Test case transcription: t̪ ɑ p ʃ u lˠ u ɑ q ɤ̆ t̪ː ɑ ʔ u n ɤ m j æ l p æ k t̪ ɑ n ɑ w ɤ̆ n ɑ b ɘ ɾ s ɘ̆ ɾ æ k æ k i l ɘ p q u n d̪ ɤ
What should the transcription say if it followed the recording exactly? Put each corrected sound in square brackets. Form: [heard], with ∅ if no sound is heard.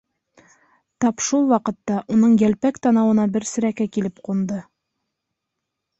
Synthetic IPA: t̪ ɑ p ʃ u lˠ [w] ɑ q ɤ̆ t̪ː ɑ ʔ u n ɤ [ɴ] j æ l p æ k t̪ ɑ n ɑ w ɤ̆ n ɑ b ɘ ɾ s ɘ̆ ɾ æ k æ k i l ɘ p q u n d̪ ɤ